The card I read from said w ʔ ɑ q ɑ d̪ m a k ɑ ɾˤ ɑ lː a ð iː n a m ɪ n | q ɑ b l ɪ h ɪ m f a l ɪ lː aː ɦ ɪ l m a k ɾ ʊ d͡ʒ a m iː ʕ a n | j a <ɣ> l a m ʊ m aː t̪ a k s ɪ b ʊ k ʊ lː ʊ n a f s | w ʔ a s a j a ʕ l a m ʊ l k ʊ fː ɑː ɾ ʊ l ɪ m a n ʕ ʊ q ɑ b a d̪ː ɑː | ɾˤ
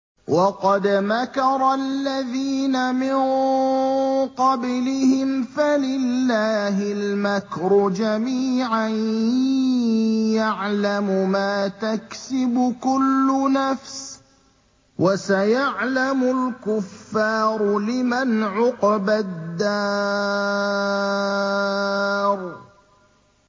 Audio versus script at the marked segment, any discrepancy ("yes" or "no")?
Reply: yes